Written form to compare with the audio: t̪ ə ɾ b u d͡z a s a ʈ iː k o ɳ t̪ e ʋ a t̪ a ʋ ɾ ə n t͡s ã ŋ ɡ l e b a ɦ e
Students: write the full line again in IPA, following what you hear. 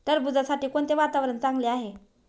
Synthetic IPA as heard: t̪ ə ɾ b u d͡z a s a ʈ iː k o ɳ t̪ e ʋ a t̪ a ʋ ɾ ə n t͡s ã ŋ ɡ l e a ɦ e